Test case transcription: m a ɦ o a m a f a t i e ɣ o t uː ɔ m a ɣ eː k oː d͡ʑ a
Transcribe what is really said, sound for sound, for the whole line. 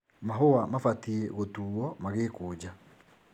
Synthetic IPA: m a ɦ o a m a f a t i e ɣ o t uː ɔ m a ɣ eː k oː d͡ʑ a